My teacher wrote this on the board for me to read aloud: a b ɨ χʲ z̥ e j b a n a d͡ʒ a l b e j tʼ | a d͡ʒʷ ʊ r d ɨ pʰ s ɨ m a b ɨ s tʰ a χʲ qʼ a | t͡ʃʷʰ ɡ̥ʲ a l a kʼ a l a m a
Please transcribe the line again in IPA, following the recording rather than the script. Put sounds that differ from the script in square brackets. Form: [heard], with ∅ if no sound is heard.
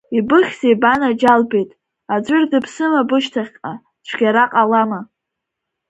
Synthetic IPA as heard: [i] b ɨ χʲ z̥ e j b a n a d͡ʒ a l b e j tʼ | a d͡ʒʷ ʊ r d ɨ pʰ s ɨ m a b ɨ [ʃ] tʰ a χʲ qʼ a | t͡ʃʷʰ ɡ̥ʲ a [ɾ] a [qʼ] a l a m a